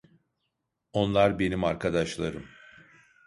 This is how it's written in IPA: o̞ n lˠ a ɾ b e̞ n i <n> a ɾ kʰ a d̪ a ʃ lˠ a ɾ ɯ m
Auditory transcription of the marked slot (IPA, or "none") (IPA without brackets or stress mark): m